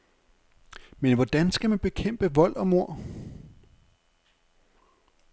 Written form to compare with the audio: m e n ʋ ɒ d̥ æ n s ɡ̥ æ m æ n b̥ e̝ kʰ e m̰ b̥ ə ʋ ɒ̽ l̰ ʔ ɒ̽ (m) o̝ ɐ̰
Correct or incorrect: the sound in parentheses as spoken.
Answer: correct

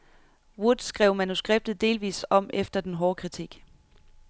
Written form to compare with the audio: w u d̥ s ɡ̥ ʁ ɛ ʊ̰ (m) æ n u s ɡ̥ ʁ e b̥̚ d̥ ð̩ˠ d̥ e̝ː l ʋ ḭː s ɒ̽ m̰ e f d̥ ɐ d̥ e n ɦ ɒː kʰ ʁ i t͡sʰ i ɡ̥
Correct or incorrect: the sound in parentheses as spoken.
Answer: correct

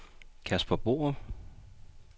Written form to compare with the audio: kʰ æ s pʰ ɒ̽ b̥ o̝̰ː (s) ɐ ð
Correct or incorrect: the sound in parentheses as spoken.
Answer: incorrect: none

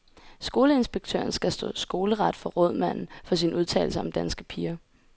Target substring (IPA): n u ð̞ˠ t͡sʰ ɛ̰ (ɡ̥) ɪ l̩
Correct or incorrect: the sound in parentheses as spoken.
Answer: incorrect: none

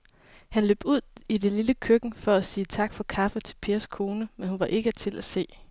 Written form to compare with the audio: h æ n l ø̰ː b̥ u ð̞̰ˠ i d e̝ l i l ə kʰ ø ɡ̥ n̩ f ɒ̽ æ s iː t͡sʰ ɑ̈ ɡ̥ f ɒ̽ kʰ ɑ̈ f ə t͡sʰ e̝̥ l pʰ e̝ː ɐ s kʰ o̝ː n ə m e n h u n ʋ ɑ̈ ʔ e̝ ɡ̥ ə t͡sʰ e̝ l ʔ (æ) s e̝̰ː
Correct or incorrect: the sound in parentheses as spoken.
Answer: correct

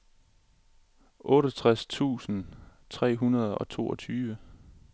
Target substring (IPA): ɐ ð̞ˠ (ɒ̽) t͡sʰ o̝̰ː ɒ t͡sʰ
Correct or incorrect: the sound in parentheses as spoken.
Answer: correct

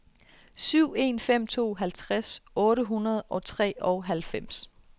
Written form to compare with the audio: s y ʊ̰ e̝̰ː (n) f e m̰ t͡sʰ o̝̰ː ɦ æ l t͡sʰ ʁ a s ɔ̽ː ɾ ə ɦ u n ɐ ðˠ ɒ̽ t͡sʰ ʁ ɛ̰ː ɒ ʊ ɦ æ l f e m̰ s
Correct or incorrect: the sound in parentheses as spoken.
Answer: correct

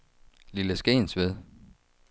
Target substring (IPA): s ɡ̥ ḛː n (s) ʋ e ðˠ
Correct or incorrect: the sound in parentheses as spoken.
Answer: correct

